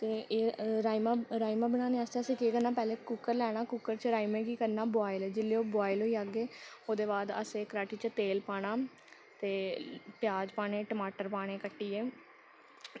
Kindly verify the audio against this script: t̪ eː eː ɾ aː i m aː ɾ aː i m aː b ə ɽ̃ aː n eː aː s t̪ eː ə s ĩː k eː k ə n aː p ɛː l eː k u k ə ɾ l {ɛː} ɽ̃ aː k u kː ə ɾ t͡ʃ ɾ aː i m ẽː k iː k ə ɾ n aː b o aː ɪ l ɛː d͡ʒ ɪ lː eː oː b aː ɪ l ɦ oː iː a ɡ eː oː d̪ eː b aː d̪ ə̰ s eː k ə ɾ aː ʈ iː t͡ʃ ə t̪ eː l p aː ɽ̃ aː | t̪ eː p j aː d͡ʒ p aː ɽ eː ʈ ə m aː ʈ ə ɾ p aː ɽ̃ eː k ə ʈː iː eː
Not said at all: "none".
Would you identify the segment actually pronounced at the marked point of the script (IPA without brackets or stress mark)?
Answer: ɛː